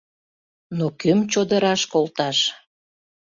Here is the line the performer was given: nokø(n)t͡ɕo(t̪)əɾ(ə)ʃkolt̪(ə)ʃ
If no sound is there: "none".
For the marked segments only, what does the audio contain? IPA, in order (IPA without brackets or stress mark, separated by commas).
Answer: m, d̪, ɑ, ɑ